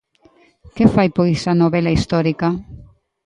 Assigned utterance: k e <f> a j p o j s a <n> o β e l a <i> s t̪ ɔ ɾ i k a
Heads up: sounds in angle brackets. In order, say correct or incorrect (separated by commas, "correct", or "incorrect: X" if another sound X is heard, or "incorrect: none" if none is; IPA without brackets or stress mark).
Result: correct, correct, correct